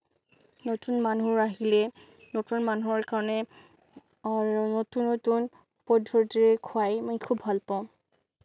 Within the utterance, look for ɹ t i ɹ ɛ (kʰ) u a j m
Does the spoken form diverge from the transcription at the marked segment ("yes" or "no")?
no